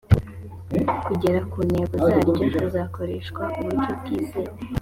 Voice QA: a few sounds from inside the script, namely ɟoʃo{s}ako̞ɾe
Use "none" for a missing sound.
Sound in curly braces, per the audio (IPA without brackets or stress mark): z